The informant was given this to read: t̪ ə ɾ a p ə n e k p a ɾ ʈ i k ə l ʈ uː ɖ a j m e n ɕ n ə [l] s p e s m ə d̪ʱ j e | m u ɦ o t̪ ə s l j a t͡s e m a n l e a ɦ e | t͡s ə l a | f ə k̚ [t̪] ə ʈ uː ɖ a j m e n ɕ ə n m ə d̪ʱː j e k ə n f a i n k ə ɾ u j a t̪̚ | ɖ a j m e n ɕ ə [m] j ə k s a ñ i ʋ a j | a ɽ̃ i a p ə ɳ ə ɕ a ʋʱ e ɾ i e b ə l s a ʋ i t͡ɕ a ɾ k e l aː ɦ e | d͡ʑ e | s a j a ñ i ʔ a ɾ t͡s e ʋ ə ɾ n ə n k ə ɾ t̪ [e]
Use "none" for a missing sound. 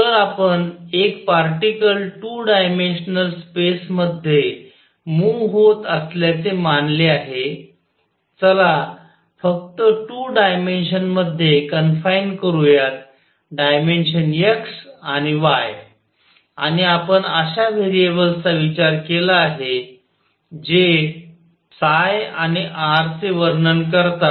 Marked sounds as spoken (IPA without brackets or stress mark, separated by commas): l, t̪, n, a